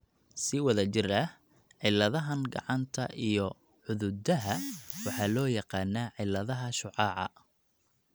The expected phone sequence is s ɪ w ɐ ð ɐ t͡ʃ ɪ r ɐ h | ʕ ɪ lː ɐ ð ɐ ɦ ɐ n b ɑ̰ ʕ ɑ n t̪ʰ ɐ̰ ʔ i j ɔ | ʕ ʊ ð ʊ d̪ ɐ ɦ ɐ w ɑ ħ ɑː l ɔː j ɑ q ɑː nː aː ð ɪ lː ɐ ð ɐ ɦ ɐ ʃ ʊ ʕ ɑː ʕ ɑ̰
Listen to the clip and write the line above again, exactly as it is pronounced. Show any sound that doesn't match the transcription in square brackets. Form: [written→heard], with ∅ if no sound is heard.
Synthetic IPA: s ɪ w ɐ ð ɐ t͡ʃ ɪ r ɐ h | ʕ ɪ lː ɐ ð ɐ ɦ ɐ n [b→ɡ] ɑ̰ ʕ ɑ n t̪ʰ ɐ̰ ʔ i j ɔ | ʕ ʊ ð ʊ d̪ ɐ ɦ ɐ w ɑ ħ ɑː l ɔː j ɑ q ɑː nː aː [ð→ʕ] ɪ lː ɐ ð ɐ ɦ ɐ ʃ ʊ ʕ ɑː ʕ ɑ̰